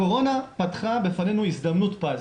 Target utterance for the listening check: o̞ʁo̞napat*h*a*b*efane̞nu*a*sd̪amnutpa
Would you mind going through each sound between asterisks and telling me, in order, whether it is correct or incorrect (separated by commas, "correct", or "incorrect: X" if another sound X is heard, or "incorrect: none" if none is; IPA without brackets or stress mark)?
incorrect: χ, correct, incorrect: i